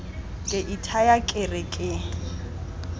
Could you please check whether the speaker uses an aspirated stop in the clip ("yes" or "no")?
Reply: yes